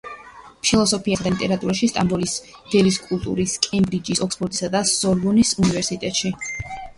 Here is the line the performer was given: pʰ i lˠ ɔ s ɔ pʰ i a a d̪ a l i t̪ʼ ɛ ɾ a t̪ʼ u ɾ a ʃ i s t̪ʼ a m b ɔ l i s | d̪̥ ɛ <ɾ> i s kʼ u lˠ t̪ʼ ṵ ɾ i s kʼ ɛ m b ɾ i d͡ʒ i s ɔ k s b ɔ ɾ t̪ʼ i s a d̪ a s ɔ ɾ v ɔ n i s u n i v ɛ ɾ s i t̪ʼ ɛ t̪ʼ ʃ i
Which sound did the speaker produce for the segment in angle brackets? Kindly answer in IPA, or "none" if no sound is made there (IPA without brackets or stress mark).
l